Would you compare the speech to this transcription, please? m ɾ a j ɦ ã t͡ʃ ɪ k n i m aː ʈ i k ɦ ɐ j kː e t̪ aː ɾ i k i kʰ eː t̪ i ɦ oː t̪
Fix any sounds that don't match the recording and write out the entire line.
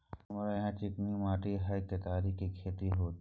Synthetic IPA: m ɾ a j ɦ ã t͡ʃ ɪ k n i m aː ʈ i ɦ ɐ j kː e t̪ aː ɾ i k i kʰ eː t̪ i ɦ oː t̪

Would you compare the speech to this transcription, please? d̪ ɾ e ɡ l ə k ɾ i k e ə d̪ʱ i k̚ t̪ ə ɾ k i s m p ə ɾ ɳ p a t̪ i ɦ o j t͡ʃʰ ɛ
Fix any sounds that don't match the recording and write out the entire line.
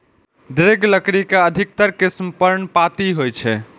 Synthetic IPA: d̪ ɾ e ɡ l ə k ɾ i k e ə d̪ʱ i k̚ t̪ ə ɾ k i s m p ə ɾ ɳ p a t̪ i ɦ o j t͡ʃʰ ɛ

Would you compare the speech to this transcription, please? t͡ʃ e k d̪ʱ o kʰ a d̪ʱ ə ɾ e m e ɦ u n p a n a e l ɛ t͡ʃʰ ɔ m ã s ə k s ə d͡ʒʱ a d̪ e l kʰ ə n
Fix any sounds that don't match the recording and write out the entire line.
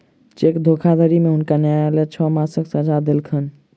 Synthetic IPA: t͡ʃ e k d̪ʱ o kʰ a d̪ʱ ə ɾ i m e ɦ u n k a n a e l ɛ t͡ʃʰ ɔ m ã s ə k s ə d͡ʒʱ a d̪ e l kʰ ə n

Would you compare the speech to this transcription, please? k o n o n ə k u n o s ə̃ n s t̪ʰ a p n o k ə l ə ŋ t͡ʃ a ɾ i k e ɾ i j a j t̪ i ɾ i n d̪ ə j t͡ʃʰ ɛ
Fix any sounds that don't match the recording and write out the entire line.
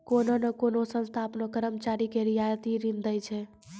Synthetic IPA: k o n o n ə k o n o s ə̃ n s t̪ʰ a p n o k ə ɾ ə m t͡ʃ a ɾ i k e ɾ i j a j t̪ i ɾ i n d̪ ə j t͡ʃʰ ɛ

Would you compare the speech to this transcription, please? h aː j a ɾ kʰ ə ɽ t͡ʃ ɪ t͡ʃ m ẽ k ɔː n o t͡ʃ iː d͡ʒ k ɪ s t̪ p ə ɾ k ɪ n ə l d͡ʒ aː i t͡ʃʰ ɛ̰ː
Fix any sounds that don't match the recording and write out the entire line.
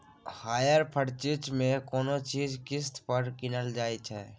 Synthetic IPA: h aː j ə ɾ pʰ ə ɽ t͡ʃ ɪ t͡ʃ m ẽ k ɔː n o t͡ʃ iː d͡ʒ k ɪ s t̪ p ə ɾ k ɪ n ə l d͡ʒ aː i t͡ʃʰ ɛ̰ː

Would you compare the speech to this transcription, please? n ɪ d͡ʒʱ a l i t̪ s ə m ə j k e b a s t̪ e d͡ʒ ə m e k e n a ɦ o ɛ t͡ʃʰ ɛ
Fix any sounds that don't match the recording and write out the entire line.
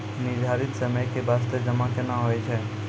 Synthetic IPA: n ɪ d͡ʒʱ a ɾ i t̪ s ə m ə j k e b a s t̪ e d͡ʒ ə m a k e n a ɦ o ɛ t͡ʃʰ ɛ

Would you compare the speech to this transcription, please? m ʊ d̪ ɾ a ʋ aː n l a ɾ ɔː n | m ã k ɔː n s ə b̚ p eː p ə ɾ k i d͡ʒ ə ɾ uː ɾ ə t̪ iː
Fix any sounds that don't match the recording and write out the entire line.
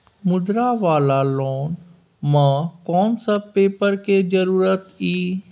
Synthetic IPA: m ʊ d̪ ɾ a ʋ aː l a l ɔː n | m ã k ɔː n s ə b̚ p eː p ə ɾ k e d͡ʒ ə ɾ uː ɾ ə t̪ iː

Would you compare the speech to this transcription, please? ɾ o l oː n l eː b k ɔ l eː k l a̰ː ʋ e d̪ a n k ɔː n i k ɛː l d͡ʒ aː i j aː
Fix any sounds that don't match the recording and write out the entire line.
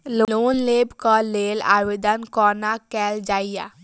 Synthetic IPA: l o l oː n l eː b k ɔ l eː l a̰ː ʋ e d̪ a n k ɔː n a k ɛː l d͡ʒ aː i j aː

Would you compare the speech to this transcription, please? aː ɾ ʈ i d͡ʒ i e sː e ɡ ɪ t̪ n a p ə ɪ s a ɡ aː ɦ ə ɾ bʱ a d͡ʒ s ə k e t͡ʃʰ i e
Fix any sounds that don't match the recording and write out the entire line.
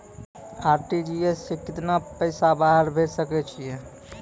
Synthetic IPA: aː ɾ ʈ i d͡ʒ i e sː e k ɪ t̪ n a p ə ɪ s a b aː ɦ ə ɾ bʱ e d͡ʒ s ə k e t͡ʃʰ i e

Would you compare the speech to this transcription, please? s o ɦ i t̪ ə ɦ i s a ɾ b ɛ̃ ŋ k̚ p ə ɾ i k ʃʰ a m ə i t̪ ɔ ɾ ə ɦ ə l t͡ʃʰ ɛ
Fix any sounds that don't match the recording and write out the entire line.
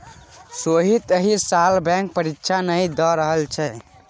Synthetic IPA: s o ɦ i t̪ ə ɦ i s a l b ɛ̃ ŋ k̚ p ə ɾ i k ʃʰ a n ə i d̪ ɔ ɾ ə ɦ ə l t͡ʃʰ ɛ

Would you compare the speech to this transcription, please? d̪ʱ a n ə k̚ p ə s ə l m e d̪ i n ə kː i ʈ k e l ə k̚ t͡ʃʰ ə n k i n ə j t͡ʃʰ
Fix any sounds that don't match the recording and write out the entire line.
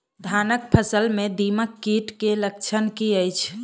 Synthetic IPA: d̪ʱ a n ə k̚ pʰ ə s ə l m e d̪ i m ə kː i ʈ k e l ə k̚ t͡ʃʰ ə n k i ə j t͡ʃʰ

